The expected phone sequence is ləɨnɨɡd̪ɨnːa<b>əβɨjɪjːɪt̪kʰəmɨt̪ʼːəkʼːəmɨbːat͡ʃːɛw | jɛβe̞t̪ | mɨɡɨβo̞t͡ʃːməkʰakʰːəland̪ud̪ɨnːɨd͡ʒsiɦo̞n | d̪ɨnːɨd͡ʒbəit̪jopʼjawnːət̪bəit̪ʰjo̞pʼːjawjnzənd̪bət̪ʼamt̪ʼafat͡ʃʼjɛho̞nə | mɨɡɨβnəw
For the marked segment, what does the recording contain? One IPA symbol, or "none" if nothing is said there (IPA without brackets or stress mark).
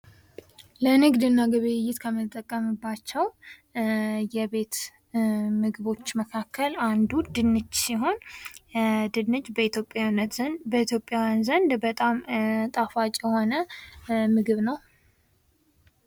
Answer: ɡ